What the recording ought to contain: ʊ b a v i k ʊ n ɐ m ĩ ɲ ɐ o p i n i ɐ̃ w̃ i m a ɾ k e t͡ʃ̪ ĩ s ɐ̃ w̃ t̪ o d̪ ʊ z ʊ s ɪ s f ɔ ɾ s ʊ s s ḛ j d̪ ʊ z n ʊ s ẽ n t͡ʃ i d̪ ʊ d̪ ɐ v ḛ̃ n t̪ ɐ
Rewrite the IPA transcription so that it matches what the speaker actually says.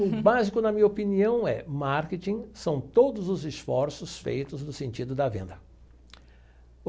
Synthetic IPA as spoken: ʊ b a z i k ʊ n ɐ m ĩ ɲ ɐ o p i n i ɐ̃ w̃ ɛ m a ɾ k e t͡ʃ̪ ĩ s ɐ̃ w̃ t̪ o d̪ ʊ z ʊ z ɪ s f ɔ ɾ s ʊ s f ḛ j t̪ ʊ z n ʊ s ẽ n t͡ʃ i d̪ ʊ d̪ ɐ v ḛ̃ n d̪ ɐ